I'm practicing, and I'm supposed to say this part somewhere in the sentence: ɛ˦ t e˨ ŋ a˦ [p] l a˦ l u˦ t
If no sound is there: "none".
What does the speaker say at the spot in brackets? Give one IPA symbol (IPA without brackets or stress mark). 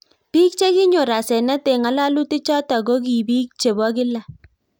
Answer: none